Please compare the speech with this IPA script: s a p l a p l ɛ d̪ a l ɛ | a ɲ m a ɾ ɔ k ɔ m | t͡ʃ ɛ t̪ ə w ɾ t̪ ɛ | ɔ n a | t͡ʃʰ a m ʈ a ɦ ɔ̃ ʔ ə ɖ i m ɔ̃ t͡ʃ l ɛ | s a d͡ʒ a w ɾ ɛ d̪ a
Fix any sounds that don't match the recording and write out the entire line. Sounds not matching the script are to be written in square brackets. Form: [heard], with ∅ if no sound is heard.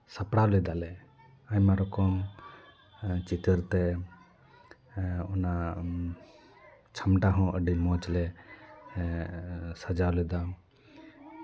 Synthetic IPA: s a p [ɽ] a [∅] l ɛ d̪ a l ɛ | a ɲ m a ɾ ɔ k ɔ m | t͡ʃ [i] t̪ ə [∅] ɾ t̪ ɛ | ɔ n a | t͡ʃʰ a m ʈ a ɦ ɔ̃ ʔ ə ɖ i m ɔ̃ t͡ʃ l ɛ | s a d͡ʒ a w [l] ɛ d̪ a